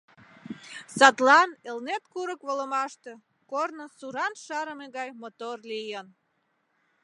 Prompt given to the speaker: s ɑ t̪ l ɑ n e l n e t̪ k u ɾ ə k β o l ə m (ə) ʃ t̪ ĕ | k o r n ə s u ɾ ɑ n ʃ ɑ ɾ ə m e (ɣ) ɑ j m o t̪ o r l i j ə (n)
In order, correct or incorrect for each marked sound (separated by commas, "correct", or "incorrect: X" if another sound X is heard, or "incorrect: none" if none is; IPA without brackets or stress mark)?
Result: incorrect: ɑ, correct, correct